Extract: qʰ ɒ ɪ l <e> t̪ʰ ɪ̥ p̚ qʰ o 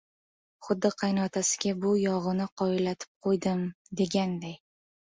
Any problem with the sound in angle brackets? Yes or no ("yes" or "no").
yes